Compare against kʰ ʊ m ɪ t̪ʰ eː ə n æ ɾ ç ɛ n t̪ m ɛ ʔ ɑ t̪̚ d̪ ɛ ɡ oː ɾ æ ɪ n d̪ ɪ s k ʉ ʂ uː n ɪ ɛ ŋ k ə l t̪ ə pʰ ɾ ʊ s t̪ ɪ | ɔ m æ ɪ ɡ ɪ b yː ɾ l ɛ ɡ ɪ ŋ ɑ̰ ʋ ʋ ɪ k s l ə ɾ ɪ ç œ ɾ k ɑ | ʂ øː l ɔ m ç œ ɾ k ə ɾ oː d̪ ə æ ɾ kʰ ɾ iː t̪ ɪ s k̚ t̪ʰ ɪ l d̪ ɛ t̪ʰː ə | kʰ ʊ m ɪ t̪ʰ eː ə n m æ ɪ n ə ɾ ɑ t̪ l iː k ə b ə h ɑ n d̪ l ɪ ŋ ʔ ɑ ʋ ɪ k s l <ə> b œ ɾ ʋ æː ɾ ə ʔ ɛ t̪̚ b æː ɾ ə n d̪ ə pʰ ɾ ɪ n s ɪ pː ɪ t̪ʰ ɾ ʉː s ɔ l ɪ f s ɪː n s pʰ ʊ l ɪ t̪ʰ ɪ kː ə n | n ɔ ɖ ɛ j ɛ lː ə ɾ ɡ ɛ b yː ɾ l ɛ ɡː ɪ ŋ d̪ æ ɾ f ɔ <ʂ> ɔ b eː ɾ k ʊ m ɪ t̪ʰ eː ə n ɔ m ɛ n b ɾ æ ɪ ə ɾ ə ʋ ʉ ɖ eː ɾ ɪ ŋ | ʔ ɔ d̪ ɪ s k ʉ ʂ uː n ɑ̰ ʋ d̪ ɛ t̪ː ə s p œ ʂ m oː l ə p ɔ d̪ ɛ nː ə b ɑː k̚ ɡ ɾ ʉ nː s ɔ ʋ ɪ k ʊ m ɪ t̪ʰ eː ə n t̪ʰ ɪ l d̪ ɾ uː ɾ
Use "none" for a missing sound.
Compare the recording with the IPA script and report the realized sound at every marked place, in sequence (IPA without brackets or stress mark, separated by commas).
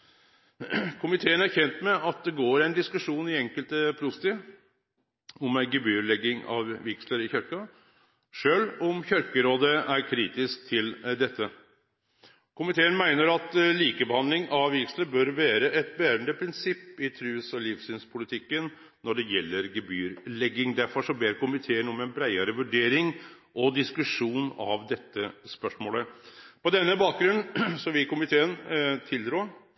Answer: ə, ʂ